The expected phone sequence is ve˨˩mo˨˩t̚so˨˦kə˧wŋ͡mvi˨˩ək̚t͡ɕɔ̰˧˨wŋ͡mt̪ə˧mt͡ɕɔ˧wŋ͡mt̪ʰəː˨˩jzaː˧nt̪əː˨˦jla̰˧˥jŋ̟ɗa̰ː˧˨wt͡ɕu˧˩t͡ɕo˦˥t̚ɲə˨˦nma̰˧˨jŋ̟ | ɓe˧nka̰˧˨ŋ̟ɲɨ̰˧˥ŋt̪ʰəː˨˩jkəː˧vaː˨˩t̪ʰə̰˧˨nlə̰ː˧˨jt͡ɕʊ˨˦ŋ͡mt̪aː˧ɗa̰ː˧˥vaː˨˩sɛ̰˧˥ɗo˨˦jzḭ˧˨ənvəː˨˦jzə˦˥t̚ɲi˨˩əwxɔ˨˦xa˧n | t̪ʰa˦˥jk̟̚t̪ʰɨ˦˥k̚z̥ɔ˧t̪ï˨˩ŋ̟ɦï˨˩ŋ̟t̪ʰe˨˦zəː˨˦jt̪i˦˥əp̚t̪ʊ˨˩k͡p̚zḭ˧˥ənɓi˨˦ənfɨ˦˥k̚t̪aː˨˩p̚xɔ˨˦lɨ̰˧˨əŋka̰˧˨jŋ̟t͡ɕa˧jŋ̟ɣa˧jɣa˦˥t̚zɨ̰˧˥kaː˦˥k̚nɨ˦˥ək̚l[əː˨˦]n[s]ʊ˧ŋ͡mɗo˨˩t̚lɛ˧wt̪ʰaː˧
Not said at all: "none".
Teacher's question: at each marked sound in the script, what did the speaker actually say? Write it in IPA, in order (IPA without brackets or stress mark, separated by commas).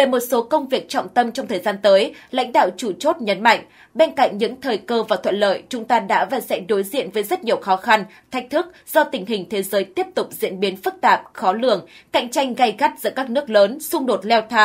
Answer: əː˨˦, s